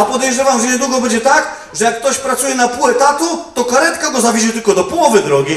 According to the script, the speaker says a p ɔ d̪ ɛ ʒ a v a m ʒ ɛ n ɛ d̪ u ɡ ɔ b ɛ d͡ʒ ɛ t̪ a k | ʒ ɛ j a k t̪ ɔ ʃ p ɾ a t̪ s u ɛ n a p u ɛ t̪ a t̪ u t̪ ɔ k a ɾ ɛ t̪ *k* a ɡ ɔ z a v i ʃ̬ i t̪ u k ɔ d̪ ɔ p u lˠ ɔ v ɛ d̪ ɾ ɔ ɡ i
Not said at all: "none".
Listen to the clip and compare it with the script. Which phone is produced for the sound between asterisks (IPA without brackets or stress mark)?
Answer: k